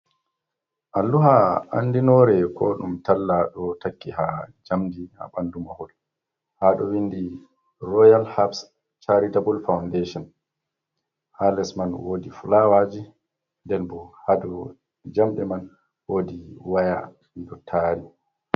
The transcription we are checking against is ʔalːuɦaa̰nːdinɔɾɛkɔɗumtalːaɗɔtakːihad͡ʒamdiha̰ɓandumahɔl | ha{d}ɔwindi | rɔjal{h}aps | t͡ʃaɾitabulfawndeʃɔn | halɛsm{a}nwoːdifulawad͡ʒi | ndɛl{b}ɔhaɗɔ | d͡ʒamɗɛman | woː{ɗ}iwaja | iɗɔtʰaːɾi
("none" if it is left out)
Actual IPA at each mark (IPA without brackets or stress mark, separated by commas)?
ɗ, h, a, b, d